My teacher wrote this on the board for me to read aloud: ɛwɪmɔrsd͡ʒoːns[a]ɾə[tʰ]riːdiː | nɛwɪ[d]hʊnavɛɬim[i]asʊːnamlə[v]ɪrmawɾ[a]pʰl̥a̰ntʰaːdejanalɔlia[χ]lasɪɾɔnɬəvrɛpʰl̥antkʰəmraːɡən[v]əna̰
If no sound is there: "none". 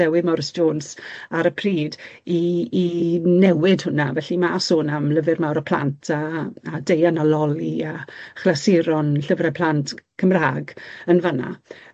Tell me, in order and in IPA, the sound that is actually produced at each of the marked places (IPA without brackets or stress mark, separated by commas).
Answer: a, pʰ, d, a, v, ə, χ, v